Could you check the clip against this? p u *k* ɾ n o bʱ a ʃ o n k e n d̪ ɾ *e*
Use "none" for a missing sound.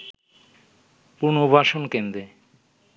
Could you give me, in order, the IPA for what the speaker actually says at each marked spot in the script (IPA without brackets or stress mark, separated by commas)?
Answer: none, e